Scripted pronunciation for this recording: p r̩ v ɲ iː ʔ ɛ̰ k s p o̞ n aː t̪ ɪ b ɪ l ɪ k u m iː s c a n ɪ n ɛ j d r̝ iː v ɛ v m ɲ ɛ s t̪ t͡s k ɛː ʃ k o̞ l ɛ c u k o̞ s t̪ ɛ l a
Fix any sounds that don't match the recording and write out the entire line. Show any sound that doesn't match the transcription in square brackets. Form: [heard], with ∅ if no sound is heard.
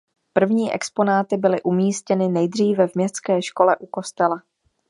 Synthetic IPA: p r̩ v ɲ iː ʔ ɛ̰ k s p o̞ n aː t̪ ɪ b ɪ l ɪ [ʔ] u m iː s c [ɛ] n ɪ n ɛ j d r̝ iː v ɛ v m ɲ ɛ s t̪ t͡s k ɛː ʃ k o̞ l ɛ [ʔ] u k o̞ s t̪ ɛ l a